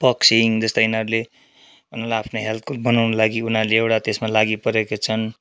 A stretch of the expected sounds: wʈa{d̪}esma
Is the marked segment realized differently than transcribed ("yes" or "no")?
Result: yes